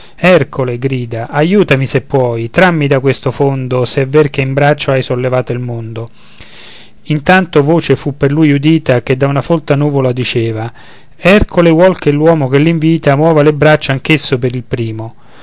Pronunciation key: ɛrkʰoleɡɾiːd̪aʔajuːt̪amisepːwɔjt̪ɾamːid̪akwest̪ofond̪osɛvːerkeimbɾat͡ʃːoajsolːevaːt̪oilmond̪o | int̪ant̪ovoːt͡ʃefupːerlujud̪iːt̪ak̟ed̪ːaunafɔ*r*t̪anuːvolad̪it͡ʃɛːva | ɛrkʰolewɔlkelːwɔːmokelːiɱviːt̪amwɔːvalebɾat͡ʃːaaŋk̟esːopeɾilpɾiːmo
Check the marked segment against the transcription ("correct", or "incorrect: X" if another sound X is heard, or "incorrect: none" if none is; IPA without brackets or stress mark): incorrect: l